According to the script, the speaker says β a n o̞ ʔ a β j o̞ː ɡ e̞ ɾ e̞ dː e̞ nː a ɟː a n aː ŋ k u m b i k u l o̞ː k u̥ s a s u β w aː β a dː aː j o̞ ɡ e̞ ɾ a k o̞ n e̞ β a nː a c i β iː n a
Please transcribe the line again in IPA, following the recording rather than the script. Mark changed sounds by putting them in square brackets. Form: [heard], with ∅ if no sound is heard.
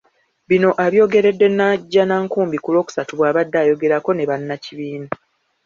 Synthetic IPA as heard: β [i] n o̞ ʔ a β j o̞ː ɡ e̞ ɾ e̞ dː e̞ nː a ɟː a n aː ŋ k [uː] m b i k u l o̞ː k u̥ s a [t] u β w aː β a dː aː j o̞ ɡ e̞ ɾ a k o̞ n e̞ β a nː a c i β iː n a